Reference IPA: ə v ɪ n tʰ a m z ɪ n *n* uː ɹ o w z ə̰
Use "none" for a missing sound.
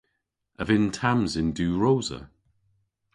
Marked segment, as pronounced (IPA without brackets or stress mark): d